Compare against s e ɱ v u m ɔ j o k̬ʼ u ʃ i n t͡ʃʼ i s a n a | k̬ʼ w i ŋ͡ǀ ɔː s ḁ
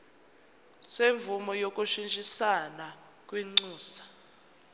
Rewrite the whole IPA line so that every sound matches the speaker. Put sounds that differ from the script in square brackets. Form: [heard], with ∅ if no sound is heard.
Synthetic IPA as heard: s e ɱ v u m ɔ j o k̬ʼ u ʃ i n t͡ʃʼ i s a n a | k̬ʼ w i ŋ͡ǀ [uː] s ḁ

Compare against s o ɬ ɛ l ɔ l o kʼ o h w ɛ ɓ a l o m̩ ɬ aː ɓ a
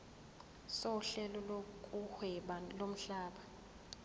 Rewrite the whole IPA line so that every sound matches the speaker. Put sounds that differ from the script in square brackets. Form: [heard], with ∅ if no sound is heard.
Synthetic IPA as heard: s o ɬ ɛ l ɔ l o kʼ [u] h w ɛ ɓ a l o m̩ ɬ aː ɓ a

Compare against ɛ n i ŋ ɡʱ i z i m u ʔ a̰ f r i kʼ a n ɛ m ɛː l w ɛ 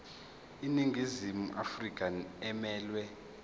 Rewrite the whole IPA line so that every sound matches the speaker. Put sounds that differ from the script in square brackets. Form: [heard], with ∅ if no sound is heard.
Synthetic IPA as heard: [i] n i ŋ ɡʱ i z i m u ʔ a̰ f r i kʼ a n ɛ m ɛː l w ɛ

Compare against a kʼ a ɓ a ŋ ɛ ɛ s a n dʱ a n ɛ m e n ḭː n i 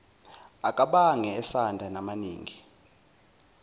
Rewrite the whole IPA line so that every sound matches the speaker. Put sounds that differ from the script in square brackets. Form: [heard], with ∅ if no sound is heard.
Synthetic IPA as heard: a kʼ a ɓ a ŋ ɛ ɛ s a n dʱ a n [a] m [a] n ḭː [ŋ] i

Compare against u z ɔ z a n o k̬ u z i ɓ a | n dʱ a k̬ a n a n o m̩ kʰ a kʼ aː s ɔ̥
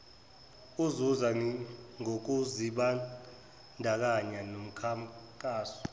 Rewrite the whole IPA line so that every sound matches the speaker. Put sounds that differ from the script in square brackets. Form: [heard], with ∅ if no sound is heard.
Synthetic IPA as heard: u z [u] z a [ŋ] o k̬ u z i ɓ a | n dʱ a k̬ a [ɲ] a n o m̩ kʰ a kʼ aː s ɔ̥

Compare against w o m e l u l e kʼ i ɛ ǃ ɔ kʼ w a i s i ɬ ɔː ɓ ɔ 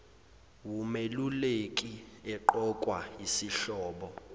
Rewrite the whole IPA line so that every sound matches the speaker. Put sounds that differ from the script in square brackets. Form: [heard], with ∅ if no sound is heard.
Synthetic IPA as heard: w [u] m e l u l e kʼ i ɛ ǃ ɔ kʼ w a i s i ɬ ɔː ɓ ɔ

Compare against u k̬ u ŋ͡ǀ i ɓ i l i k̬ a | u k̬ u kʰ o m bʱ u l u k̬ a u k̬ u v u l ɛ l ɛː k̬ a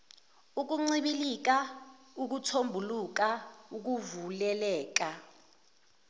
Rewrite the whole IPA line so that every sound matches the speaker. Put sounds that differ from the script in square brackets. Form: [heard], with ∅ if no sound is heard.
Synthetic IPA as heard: u k̬ u ŋ͡ǀ i ɓ i l i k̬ a | u k̬ u [tʰ] o m bʱ u l u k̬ a u k̬ u v u l ɛ l ɛː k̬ a

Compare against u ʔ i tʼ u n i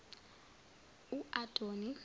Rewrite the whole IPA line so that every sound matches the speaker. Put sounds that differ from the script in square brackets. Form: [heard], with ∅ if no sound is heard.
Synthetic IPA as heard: u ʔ [a] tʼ [o] n i

